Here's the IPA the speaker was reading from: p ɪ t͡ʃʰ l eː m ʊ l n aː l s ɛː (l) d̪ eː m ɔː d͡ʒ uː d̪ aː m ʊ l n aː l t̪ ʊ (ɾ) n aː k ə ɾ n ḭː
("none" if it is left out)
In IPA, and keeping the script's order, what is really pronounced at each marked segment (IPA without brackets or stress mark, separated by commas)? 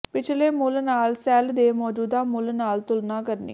l, l